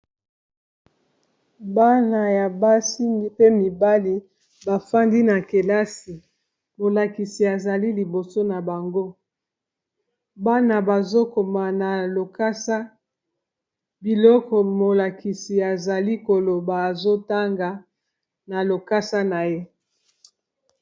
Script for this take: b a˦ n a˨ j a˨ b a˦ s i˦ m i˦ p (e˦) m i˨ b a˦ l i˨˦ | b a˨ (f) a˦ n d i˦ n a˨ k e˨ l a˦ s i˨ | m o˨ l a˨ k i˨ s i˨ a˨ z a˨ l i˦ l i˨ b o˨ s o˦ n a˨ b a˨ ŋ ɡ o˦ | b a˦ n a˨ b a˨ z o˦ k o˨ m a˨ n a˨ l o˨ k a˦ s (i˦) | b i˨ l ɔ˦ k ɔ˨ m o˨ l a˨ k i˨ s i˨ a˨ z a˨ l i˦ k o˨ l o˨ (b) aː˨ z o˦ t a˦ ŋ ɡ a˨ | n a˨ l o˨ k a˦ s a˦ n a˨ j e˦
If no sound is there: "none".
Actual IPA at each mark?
e˦, f, a˦, b

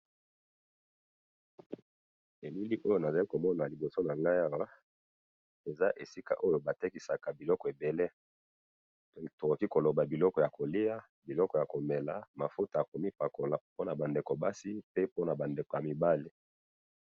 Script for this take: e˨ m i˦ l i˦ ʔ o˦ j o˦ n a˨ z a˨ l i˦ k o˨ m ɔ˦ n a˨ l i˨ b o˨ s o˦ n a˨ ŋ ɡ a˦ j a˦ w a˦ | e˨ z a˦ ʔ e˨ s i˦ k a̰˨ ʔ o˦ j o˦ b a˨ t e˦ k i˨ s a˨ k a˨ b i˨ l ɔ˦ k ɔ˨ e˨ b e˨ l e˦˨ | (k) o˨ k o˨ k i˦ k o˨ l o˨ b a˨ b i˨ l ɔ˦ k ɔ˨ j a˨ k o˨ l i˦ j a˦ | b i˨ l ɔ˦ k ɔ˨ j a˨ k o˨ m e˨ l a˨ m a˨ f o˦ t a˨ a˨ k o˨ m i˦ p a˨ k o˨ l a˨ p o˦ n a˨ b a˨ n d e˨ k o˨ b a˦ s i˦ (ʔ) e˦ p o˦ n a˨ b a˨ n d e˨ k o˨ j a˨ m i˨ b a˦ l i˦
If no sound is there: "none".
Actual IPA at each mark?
t, p

